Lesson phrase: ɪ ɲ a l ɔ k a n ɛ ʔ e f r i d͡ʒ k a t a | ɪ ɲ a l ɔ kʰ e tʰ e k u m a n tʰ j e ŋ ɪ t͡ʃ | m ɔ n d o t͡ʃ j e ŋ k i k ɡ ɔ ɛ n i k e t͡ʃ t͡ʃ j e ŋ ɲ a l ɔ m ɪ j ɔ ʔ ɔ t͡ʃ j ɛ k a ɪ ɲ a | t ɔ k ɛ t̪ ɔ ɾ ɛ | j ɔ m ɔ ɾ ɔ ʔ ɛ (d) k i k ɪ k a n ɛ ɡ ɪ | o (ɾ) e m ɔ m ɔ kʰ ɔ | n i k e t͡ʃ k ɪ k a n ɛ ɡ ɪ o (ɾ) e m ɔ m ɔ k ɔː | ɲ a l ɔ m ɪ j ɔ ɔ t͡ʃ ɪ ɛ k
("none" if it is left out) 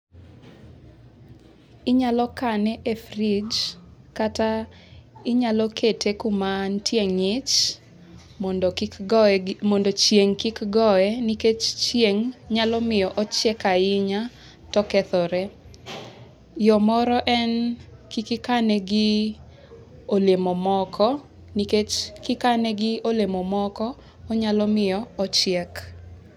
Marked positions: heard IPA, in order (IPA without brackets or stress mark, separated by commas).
n, l, l